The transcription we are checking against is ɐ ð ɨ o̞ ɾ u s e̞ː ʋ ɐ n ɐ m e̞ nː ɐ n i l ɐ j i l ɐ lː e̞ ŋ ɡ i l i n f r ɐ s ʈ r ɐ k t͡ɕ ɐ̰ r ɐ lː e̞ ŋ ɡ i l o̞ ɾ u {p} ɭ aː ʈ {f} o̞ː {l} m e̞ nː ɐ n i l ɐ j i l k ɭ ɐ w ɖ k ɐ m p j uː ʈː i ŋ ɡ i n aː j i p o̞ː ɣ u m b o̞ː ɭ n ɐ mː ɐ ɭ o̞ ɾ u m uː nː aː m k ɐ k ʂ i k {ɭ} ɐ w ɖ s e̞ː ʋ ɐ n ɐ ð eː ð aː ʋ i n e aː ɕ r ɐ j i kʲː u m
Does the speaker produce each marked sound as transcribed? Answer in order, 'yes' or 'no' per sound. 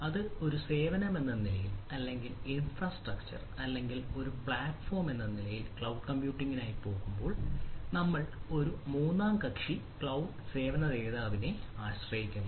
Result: yes, yes, no, yes

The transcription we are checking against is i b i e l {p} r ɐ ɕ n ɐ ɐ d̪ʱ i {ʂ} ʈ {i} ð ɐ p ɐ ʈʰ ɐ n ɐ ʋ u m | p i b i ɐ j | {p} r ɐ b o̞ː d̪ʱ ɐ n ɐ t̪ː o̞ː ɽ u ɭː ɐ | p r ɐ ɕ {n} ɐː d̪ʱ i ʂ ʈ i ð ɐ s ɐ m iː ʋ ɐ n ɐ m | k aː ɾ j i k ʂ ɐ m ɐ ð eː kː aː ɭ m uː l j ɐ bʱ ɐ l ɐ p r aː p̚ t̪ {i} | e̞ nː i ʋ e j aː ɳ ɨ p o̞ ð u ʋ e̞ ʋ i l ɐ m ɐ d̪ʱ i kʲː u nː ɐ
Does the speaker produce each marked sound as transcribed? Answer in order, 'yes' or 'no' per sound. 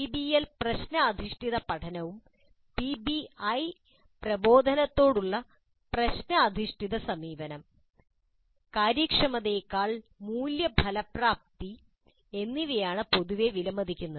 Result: yes, yes, yes, yes, yes, yes

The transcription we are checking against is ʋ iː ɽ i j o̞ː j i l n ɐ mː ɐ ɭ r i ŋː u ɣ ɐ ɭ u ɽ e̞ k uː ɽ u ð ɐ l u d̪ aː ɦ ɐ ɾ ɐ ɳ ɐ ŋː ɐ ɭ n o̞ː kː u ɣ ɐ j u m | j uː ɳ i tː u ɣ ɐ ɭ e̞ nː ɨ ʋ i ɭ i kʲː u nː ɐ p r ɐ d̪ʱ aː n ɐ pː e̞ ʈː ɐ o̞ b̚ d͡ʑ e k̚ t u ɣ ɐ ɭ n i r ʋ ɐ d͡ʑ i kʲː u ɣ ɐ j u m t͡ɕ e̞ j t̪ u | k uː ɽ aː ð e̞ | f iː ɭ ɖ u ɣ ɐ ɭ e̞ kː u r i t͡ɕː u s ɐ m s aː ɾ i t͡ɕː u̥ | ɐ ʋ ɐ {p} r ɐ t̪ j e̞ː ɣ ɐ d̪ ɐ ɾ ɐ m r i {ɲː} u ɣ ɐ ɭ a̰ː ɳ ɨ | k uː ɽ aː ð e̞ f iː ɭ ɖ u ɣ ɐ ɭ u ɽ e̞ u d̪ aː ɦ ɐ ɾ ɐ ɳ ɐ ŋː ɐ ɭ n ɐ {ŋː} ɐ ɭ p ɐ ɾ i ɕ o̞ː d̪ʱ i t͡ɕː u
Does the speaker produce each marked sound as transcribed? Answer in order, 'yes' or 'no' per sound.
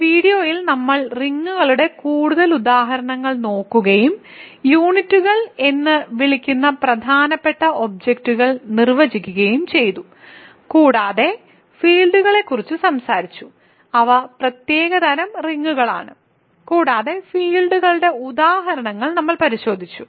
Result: yes, no, no

